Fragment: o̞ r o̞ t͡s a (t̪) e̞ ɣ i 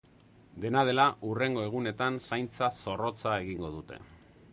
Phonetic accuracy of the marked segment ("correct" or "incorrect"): incorrect